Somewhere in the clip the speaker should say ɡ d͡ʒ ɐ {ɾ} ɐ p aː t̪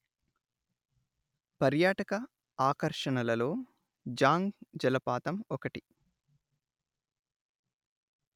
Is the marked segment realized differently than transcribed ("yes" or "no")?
yes